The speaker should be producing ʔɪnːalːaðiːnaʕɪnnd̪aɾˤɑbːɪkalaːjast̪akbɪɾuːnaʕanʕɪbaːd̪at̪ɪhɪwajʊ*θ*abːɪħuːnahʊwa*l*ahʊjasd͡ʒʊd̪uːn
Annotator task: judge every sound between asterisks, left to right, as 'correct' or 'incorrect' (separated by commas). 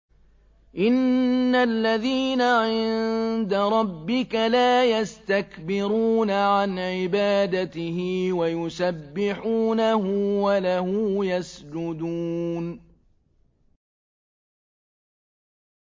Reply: incorrect, correct